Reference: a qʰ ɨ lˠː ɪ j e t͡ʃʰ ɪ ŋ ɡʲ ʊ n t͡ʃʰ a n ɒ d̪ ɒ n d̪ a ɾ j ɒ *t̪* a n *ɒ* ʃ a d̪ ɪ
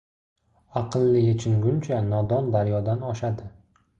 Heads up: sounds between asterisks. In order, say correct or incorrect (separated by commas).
incorrect, correct